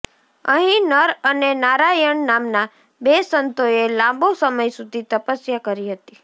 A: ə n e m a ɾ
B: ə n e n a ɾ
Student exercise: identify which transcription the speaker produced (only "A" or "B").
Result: B